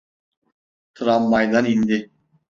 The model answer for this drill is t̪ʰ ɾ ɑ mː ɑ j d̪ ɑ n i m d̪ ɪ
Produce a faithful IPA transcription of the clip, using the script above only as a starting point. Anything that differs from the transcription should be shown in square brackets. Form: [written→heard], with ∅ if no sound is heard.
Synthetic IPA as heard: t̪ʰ ɾ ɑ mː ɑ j d̪ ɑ n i [m→n] d̪ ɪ

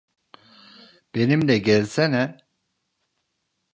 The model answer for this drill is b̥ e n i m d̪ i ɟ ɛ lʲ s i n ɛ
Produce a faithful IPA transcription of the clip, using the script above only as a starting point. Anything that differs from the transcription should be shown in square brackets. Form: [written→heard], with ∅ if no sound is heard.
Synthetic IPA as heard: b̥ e n i m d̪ [i→ɛ] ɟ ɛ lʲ s [i→ɛ] n ɛ

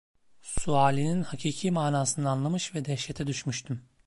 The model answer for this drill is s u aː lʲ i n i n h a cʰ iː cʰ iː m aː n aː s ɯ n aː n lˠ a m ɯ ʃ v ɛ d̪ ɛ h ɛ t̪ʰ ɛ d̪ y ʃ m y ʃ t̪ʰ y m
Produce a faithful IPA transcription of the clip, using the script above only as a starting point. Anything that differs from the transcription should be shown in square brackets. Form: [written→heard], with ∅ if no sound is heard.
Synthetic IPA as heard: s u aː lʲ i n i n h a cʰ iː cʰ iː m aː n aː s ɯ n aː n lˠ a m ɯ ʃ v ɛ d̪ ɛ [h→ʃ] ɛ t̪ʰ ɛ d̪ y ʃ m y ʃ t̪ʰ y m

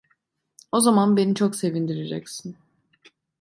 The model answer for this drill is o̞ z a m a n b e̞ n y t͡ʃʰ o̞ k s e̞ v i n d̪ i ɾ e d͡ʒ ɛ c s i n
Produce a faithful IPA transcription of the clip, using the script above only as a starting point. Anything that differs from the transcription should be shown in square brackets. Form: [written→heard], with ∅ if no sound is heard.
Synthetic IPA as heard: o̞ z a m a n b e̞ n [y→i] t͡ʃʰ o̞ k s e̞ v i n d̪ i ɾ e d͡ʒ ɛ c s i n

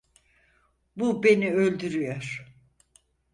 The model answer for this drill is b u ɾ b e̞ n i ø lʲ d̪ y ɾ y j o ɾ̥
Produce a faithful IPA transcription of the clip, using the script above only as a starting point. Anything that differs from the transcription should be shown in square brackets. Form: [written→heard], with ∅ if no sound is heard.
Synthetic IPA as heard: b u [ɾ→∅] b e̞ n i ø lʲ d̪ y ɾ y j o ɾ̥

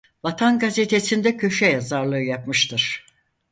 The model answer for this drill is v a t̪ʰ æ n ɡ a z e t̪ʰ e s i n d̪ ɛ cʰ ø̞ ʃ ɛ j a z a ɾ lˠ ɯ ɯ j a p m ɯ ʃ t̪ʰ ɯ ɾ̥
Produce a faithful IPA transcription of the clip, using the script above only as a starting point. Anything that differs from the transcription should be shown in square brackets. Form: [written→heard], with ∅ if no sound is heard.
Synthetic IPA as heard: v a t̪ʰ [æ→a] n ɡ a z e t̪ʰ e s i n d̪ ɛ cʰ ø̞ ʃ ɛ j a z a ɾ lˠ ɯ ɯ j a p m ɯ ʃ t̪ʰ ɯ ɾ̥

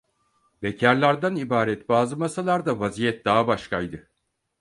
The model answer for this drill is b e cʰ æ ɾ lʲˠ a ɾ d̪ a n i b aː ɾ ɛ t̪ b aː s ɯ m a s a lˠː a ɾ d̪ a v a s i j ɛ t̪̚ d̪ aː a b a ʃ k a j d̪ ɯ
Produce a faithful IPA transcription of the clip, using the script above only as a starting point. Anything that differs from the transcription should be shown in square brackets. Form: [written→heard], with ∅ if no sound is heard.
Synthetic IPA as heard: b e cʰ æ ɾ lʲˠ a ɾ d̪ a n i b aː ɾ ɛ t̪ b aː [s→z] ɯ m a s a [lˠː→lˠ] a ɾ d̪ a v a [s→z] i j ɛ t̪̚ d̪ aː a b a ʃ k a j d̪ ɯ

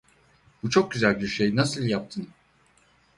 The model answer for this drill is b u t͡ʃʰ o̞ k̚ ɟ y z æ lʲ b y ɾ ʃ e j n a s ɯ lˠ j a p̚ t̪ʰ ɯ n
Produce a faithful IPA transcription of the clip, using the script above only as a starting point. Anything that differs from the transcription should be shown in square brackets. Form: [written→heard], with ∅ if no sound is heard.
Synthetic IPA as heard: b u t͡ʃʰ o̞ k̚ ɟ y z æ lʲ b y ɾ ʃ e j n a s ɯ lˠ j a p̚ t̪ʰ ɯ n

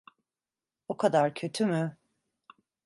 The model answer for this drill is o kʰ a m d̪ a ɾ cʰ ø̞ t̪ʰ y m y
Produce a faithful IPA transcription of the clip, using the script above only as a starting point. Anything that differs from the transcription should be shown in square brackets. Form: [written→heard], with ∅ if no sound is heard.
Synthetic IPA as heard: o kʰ a [m→∅] d̪ a ɾ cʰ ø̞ t̪ʰ y m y

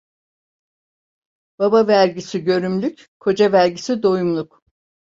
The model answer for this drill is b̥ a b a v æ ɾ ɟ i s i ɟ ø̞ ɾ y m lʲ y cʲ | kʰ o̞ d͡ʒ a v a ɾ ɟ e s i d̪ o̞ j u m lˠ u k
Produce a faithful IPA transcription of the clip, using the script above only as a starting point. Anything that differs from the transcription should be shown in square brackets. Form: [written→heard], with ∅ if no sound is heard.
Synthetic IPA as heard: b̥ a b a v æ ɾ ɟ i s i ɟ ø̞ ɾ y m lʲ y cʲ | kʰ o̞ d͡ʒ a v [a→æ] ɾ ɟ [e→i] s i d̪ o̞ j u m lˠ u k

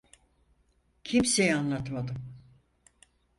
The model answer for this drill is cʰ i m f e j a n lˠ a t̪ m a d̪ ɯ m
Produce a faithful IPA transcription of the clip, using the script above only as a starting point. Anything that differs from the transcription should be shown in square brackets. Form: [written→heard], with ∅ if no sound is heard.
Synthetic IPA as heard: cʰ i m [f→s] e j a n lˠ a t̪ m a d̪ ɯ m

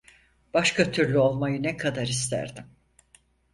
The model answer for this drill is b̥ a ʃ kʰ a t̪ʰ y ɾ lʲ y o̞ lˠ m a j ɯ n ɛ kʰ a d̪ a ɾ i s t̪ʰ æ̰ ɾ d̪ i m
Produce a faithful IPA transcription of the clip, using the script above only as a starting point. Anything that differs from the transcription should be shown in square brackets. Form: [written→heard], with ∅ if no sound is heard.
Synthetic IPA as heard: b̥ a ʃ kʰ a t̪ʰ y ɾ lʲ y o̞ lˠ m a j ɯ n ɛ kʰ a d̪ a ɾ i s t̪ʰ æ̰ ɾ d̪ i m

